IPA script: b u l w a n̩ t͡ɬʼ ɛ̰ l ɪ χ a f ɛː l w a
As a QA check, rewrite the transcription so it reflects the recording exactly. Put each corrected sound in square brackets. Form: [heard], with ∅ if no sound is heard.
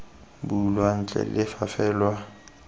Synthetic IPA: b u l w a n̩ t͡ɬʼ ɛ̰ l ɪ [f] a f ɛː l w a

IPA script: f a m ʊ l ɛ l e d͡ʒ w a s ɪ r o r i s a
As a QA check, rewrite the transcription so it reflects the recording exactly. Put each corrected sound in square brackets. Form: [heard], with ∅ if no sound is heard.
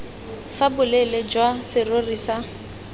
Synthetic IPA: f a [b] ʊ l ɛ l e d͡ʒ w a s ɪ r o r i s a

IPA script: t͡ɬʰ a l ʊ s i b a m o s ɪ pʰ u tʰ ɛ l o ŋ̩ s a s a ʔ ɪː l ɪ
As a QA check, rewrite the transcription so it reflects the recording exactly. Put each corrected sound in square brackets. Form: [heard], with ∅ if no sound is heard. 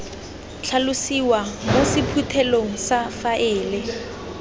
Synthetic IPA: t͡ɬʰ a l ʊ s i [w] a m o s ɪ pʰ u tʰ ɛ l o ŋ̩ s a [f] a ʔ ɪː l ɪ

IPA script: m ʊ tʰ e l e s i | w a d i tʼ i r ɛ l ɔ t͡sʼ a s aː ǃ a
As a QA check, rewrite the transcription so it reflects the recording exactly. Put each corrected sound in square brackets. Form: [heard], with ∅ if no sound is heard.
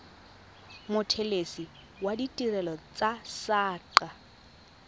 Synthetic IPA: m ʊ tʰ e l e s i | w a d i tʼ i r ɛ l ɔ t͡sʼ a s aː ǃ a

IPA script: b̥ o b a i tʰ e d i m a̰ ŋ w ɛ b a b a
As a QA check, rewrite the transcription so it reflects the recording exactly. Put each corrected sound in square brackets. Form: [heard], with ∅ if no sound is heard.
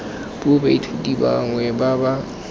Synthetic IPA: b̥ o b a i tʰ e d i [b] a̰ ŋ w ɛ b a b a

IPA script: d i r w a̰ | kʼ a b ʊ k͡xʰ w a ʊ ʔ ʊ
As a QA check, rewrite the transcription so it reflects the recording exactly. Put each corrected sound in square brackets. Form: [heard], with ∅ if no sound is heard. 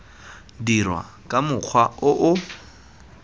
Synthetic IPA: d i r w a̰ | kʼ a [m] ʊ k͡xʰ w a ʊ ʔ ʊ

